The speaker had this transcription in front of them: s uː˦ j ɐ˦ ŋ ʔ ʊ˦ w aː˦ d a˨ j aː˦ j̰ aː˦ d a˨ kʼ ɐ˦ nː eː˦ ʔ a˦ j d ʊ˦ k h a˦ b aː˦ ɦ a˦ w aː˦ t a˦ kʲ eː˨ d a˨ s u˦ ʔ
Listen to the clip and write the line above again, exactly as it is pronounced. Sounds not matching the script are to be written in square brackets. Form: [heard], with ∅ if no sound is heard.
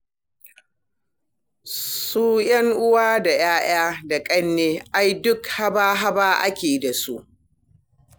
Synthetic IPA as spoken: s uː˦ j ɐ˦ ŋ ʔ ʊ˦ w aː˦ d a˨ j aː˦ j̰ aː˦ d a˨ kʼ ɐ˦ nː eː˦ ʔ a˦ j d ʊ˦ k h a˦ b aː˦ ɦ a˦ [b] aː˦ [ʔ] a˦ kʲ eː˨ d a˨ s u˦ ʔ